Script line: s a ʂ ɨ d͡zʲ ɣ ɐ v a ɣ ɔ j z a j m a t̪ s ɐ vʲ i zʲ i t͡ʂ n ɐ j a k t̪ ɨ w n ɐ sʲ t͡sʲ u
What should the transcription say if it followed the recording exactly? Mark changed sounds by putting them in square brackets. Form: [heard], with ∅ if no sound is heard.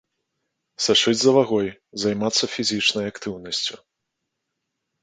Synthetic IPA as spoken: s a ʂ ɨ d͡zʲ [z] ɐ v a ɣ ɔ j z a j m a t̪ [sː] ɐ [fʲ] i zʲ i t͡ʂ n ɐ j a k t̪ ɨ w n ɐ sʲ t͡sʲ u